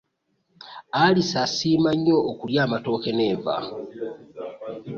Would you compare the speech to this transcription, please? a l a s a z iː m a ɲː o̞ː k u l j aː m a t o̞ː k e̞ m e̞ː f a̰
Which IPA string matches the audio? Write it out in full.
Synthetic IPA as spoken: a l i s a s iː m a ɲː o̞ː k u l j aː m a t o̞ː k e̞ n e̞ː v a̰

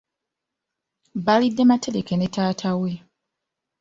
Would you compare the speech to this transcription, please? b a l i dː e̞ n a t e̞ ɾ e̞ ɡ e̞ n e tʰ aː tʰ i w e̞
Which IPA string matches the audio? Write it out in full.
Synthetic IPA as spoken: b a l i dː e̞ m a t e̞ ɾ e̞ k e̞ n e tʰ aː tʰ a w e̞

